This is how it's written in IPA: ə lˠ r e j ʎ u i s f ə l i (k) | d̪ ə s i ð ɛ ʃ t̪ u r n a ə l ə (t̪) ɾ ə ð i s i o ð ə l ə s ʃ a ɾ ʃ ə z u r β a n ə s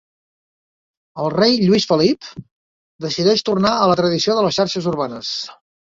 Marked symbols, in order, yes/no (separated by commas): no, yes